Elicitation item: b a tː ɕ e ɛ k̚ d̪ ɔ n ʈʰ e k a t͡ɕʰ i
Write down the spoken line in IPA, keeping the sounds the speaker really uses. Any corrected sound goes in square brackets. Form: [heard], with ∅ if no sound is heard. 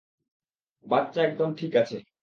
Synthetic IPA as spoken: b a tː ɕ [a] ɛ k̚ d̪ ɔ n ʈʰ [i] k a t͡ɕʰ [e]